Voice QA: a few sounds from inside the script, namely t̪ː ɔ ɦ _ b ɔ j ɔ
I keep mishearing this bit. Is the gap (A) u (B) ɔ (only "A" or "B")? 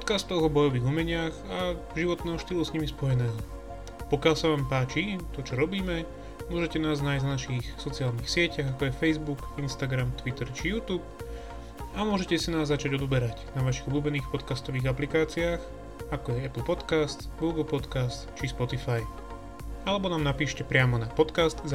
B